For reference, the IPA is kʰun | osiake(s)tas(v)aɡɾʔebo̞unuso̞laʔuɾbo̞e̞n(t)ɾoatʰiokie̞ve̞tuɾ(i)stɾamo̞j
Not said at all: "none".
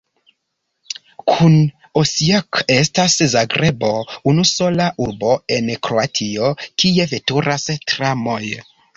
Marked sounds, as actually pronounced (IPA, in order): s, z, k, a

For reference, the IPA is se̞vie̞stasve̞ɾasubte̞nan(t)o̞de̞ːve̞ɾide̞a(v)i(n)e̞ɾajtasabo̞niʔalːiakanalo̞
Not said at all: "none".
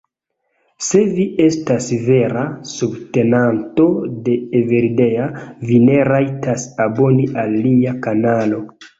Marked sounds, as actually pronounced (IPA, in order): t, v, n

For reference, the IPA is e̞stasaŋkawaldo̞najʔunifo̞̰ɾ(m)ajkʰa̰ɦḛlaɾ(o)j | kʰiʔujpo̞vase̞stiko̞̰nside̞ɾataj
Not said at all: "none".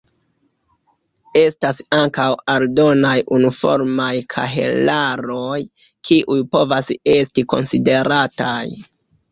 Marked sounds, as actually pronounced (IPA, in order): m, o

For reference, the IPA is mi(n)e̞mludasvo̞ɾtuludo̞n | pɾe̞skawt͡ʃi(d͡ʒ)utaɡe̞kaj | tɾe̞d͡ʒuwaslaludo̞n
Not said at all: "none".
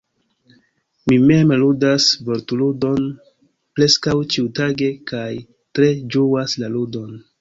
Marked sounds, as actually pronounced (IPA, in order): m, none

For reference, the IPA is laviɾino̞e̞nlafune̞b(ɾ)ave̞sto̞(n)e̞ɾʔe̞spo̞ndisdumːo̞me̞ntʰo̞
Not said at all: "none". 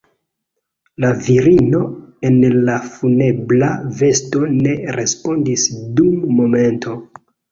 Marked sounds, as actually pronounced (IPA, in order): l, n

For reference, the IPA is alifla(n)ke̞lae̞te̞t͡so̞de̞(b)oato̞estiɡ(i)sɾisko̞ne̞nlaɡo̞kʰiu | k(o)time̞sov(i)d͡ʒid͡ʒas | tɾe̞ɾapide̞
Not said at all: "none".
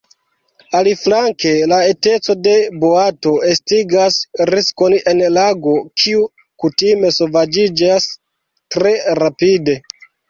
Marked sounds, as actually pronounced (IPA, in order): ŋ, b, a, u, a

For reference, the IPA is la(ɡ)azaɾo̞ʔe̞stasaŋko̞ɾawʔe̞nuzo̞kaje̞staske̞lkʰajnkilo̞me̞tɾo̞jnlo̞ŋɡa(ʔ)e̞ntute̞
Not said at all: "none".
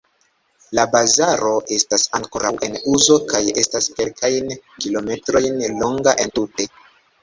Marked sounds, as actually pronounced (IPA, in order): b, ʔ

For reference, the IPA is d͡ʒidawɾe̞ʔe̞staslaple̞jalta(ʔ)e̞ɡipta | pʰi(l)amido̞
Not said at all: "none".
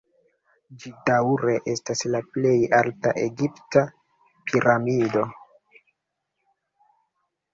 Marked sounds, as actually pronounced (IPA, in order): ʔ, ɾ

